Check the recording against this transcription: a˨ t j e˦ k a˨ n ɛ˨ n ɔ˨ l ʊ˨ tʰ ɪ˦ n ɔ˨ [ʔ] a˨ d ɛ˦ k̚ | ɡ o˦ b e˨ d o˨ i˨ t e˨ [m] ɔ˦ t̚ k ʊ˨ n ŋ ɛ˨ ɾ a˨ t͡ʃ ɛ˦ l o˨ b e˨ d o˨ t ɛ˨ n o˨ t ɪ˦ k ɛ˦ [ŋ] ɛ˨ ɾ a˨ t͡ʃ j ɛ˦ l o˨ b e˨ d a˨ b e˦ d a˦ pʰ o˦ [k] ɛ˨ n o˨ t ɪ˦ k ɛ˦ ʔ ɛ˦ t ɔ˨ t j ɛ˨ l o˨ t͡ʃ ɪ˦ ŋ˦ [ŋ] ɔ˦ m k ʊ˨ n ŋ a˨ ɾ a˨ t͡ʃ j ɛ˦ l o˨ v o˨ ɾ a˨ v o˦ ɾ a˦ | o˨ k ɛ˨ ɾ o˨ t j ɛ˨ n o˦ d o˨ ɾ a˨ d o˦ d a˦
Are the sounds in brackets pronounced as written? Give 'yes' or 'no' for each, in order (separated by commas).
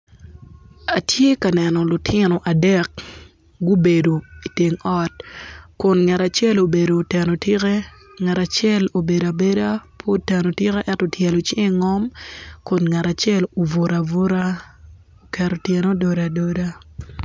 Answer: yes, no, yes, no, yes